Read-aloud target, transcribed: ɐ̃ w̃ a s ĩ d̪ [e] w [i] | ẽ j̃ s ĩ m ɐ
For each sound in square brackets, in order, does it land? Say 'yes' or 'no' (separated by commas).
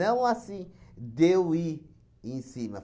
yes, yes